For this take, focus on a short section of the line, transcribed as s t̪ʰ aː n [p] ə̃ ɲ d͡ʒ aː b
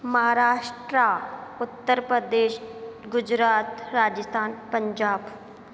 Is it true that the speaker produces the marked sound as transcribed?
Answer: yes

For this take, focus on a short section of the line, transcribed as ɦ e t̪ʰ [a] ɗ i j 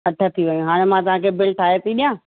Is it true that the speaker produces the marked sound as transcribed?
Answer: no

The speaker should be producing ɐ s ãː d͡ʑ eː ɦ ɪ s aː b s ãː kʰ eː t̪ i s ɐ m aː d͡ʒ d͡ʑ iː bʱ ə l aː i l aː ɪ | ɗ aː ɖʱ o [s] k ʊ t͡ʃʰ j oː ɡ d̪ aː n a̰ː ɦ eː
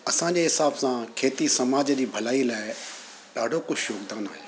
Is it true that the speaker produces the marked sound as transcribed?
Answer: no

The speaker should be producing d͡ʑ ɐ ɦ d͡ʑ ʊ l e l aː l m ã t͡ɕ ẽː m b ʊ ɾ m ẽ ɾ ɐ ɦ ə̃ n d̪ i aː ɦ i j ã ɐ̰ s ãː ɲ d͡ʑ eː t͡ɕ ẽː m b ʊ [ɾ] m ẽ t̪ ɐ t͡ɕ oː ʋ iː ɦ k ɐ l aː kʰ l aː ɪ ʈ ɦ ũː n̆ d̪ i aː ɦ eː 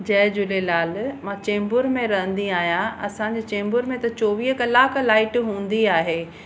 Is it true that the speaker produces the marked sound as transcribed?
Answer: yes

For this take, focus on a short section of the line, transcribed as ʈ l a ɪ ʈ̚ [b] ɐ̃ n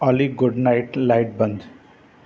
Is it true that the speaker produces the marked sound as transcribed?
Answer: yes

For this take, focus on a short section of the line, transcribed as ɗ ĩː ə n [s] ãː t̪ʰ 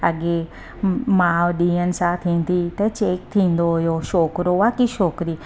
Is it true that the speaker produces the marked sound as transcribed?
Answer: yes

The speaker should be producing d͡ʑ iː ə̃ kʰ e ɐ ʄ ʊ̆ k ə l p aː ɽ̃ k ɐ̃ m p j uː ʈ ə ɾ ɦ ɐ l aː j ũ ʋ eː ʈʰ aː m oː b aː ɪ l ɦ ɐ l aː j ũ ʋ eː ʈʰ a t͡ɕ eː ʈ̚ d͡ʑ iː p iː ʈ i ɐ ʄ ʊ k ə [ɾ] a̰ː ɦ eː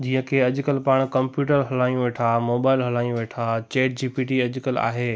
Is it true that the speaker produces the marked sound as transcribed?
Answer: no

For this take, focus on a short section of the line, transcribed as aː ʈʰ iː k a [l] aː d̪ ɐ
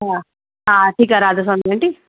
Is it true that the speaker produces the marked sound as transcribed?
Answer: no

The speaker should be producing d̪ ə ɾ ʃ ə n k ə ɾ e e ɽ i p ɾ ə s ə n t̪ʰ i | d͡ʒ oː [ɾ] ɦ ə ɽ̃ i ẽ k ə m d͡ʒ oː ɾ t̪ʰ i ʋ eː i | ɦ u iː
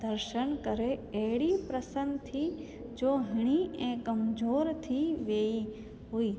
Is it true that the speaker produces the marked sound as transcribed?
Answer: no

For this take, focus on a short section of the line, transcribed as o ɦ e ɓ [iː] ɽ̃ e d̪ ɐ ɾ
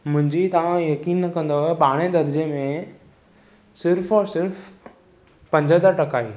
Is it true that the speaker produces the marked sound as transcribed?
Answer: no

